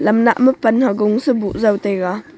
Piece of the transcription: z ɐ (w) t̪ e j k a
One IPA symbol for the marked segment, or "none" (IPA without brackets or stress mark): w